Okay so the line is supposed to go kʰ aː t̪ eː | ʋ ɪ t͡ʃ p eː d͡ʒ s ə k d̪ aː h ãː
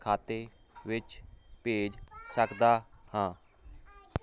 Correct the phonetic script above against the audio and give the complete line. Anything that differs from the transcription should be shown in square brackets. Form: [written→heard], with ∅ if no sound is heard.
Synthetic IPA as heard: kʰ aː t̪ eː | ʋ ɪ t͡ʃ p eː d͡ʒ s ə k d̪ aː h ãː